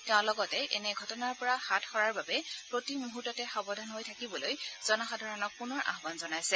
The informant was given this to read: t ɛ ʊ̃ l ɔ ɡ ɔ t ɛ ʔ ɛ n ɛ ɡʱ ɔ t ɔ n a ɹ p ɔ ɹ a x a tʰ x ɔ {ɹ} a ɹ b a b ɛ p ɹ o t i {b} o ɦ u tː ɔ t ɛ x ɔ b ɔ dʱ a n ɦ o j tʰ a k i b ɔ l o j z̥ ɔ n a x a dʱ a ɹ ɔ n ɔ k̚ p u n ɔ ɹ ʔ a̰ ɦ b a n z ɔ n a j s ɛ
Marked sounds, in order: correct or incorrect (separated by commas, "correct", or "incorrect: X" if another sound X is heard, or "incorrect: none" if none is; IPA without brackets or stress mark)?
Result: correct, incorrect: m